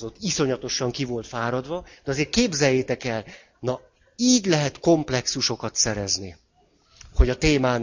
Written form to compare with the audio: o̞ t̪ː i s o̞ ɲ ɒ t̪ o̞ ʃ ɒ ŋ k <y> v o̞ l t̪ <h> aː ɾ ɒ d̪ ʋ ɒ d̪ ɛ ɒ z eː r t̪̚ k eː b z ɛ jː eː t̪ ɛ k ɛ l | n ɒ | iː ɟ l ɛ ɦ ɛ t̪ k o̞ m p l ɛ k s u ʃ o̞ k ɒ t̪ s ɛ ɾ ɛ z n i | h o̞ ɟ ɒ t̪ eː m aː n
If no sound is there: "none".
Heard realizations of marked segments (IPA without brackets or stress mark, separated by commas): i, f